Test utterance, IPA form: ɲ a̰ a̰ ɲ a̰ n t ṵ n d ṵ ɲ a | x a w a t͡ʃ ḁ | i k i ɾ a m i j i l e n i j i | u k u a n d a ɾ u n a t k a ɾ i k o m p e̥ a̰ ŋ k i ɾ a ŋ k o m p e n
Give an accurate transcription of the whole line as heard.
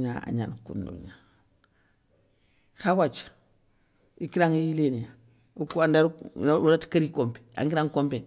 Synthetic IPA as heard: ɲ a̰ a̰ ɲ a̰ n k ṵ n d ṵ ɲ a | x a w a t͡ʃ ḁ | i k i ɾ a ŋ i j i l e n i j a | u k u a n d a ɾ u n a t k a ɾ i k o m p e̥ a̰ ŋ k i ɾ a ŋ k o m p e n